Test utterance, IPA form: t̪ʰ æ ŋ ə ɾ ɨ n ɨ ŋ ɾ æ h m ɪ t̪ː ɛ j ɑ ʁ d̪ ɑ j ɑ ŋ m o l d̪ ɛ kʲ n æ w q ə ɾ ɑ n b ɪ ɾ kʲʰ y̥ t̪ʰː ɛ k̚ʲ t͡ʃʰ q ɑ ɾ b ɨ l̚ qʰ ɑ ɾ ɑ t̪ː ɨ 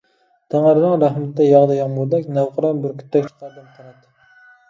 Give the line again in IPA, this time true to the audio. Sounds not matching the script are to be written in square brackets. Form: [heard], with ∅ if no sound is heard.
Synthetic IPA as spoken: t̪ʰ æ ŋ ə ɾ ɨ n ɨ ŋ ɾ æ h m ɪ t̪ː ɛ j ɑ ʁ d̪ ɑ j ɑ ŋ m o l d̪ ɛ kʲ n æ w q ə ɾ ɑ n b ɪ ɾ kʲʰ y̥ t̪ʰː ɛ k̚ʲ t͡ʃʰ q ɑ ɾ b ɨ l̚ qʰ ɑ ɾ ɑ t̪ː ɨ